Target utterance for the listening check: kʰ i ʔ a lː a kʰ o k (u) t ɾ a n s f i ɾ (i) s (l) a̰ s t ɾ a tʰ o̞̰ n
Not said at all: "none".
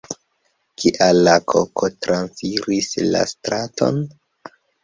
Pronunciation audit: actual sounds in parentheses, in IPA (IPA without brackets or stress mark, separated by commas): o, i, l